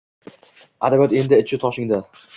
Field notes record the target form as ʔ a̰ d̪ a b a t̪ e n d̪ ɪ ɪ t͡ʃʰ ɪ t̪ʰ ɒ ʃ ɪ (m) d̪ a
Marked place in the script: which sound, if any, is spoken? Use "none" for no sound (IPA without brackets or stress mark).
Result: ŋ